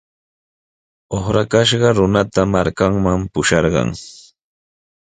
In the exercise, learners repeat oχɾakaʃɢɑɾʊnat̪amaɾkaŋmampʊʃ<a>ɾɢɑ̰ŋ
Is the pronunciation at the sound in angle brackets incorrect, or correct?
incorrect